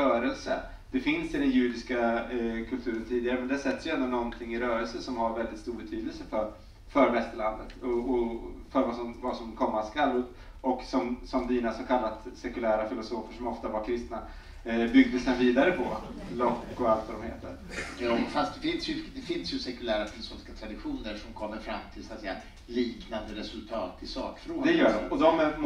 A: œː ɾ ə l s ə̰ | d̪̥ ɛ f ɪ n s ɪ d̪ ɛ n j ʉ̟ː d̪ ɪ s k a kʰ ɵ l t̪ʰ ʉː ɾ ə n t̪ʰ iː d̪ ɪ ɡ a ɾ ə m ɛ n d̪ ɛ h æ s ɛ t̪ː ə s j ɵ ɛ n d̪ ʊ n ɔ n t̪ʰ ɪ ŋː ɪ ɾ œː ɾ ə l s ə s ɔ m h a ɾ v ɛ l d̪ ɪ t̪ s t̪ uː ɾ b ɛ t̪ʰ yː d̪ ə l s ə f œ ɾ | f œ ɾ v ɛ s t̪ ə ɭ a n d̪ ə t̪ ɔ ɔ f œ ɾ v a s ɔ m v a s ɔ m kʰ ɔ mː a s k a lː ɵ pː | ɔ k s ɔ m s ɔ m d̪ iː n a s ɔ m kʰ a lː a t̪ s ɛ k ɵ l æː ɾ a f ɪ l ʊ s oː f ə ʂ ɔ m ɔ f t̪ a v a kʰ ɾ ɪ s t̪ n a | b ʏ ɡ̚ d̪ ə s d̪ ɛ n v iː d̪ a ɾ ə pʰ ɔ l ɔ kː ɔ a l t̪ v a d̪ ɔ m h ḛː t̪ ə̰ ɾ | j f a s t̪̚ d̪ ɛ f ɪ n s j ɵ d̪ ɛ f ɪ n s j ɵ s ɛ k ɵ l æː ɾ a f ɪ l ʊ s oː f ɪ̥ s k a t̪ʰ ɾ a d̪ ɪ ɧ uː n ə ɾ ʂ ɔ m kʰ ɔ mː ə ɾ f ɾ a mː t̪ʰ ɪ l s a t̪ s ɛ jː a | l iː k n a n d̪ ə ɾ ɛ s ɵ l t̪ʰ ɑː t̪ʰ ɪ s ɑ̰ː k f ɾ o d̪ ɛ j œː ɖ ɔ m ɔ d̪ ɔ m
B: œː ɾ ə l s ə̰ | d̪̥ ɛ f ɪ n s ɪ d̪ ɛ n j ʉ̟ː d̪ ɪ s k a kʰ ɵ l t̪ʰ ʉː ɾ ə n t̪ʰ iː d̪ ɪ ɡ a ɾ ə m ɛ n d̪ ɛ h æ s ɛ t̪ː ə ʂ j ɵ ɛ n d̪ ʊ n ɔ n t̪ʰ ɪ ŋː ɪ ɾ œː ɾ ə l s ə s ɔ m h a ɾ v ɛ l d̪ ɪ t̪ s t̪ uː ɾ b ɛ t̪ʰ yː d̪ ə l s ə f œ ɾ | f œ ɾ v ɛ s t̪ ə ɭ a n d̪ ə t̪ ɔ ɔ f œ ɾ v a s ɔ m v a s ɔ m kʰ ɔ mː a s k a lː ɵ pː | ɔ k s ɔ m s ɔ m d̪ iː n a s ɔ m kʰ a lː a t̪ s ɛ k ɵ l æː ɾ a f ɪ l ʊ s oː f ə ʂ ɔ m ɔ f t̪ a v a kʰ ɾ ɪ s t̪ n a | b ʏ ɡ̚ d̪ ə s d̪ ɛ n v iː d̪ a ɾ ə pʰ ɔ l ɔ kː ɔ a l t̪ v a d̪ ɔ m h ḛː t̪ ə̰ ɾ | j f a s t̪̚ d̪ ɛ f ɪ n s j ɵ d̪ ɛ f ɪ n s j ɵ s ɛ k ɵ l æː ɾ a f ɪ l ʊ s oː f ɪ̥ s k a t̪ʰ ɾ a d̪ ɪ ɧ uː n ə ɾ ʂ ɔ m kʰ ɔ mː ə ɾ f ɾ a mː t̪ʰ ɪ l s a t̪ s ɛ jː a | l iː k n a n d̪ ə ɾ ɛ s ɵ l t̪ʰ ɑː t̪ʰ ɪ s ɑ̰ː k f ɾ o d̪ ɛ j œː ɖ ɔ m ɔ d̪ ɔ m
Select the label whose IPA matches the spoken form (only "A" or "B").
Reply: A